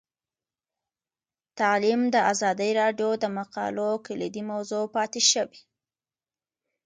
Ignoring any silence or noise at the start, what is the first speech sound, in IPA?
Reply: t̪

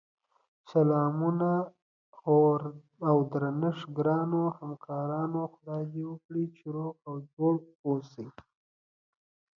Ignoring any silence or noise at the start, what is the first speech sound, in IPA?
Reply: s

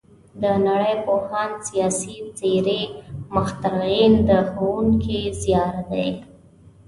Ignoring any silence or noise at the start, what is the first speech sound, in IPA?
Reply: d̪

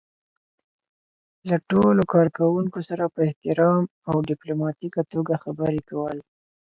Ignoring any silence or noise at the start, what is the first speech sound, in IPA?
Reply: l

